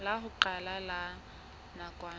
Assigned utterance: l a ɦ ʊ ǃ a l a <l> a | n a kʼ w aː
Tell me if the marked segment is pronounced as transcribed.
yes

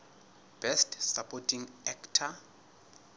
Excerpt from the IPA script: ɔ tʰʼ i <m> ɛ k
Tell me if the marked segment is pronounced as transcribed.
no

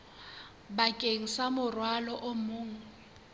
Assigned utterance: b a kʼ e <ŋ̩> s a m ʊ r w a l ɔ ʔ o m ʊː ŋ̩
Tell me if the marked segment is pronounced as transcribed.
yes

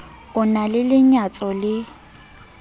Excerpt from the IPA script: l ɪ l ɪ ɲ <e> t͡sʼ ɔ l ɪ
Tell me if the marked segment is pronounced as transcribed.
no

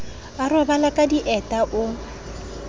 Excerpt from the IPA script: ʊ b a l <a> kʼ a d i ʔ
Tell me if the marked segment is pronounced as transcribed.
yes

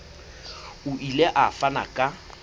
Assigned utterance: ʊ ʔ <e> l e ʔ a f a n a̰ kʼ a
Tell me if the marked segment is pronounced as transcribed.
no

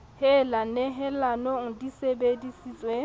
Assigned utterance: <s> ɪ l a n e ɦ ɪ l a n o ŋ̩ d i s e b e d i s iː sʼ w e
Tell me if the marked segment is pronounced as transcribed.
no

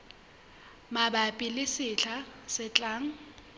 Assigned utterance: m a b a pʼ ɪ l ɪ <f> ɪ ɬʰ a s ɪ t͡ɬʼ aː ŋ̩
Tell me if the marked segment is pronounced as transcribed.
no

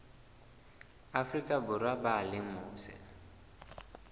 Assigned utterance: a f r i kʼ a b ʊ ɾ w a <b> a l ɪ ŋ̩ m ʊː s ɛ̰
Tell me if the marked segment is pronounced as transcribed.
yes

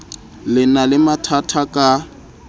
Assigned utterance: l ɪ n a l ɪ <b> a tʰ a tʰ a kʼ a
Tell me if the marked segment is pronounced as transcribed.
no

